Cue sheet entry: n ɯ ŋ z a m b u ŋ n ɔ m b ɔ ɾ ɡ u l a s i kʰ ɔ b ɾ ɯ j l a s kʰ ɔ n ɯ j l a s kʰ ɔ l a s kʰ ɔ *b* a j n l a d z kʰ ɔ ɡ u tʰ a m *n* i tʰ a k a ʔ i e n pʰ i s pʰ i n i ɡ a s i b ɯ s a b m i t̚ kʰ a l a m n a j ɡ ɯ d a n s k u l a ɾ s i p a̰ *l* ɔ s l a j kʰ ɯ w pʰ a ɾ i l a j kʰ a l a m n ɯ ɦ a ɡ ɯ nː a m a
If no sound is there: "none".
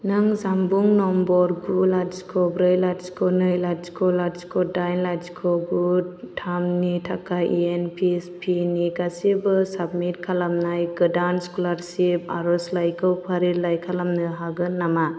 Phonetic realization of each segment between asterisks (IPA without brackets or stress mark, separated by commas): d, n, ɾ